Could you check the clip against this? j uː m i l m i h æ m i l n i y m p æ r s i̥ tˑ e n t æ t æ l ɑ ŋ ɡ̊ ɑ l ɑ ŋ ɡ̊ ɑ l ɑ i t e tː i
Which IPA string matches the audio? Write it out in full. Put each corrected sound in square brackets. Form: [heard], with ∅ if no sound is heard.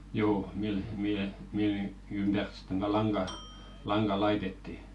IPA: j uː m i l m i h [e] m i l n i y m p æ r s i̥ tˑ e n t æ t æ l ɑ ŋ ɡ̊ ɑ l ɑ ŋ ɡ̊ ɑ l ɑ i t e tː i